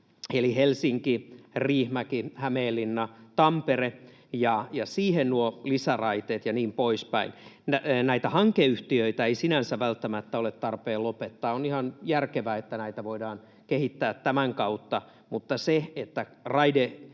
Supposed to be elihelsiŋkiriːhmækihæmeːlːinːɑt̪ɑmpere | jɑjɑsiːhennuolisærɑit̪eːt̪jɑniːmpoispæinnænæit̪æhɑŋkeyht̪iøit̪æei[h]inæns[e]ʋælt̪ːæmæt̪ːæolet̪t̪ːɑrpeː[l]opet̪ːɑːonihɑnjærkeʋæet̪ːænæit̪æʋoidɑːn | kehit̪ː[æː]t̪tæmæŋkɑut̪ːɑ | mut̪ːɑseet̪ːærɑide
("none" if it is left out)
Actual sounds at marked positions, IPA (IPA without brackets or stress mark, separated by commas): s, æ, l, æː